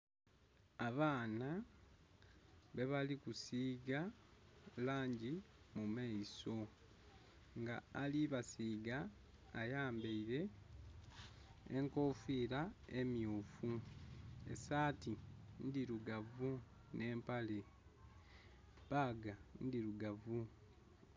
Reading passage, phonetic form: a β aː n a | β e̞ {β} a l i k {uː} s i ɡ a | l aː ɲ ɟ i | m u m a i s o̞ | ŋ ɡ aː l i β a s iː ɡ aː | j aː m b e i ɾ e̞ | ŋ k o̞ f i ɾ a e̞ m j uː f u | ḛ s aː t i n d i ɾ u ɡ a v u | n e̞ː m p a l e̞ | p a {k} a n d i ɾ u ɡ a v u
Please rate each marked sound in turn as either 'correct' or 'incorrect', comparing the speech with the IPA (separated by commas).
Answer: correct, incorrect, incorrect